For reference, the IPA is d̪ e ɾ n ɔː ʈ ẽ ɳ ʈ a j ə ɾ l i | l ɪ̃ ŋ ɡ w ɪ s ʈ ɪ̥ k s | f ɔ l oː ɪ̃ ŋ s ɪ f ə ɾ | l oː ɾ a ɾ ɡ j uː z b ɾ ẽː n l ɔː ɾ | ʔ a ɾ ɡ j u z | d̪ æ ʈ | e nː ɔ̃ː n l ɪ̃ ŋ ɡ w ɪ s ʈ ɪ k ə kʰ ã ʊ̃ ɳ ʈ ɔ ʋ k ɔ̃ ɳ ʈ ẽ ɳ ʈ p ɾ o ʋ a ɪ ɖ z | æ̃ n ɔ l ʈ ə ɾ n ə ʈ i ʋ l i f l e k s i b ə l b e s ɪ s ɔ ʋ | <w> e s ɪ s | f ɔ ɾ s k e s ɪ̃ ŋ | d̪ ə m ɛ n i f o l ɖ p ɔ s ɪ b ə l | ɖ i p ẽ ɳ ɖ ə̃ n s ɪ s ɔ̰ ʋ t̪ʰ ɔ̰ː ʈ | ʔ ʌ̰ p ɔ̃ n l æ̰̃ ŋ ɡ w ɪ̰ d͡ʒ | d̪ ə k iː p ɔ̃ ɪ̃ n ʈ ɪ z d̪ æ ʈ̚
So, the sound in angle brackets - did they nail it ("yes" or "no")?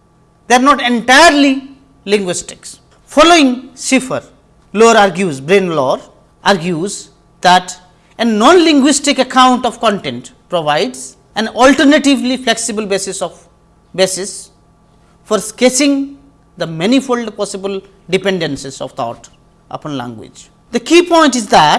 no